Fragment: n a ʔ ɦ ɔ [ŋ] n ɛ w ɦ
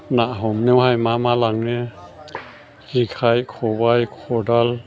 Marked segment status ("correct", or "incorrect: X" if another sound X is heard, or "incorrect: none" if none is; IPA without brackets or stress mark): incorrect: m